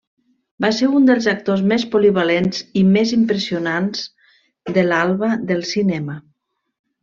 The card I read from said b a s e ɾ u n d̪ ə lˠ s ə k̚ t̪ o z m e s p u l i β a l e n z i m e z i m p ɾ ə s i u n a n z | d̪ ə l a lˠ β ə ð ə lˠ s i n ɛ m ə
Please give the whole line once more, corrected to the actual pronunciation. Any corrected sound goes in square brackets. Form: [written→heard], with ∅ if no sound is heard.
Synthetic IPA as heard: b a s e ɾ u n d̪ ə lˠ [s→z] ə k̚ t̪ o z m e s p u l i β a l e n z i m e z i m p ɾ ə s i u n a n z | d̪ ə l a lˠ β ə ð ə lˠ s i n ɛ m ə